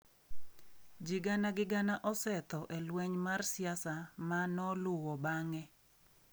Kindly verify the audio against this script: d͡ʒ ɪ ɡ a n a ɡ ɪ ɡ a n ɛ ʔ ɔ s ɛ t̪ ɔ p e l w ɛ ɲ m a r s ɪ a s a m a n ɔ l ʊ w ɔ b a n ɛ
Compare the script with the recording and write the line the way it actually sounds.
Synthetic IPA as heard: d͡ʒ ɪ ɡ a n a ɡ ɪ ɡ a n a ʔ ɔ s ɛ t̪ ɔ ʔ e l w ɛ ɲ m a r s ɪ a s a m a n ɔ l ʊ w ɔ b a ŋ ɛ